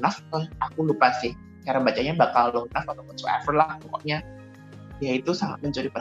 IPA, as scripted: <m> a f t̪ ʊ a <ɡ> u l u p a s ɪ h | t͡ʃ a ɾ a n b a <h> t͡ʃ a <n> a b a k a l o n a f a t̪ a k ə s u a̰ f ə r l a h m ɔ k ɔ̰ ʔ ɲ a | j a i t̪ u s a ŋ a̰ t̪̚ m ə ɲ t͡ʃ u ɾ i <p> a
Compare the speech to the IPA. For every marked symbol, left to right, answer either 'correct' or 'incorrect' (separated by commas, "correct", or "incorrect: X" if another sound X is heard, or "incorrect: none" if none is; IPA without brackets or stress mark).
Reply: incorrect: n, incorrect: k, incorrect: none, incorrect: ɲ, correct